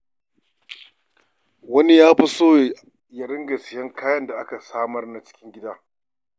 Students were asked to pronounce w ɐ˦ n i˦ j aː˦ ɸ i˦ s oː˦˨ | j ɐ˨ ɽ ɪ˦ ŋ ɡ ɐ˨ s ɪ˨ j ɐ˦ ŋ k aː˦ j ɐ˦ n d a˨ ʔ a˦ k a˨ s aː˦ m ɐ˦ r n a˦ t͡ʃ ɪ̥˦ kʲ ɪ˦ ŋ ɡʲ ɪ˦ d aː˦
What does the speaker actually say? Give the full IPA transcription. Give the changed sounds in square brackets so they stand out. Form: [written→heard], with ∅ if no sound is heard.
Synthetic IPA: w ɐ˦ n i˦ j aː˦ ɸ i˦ s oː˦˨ | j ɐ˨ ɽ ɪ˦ ŋ ɡ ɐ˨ s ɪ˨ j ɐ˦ ŋ k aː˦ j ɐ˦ n d a˨ ʔ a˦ k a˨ s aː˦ m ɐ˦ r n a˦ t͡ʃ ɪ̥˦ kʲ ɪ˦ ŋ ɡʲ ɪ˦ d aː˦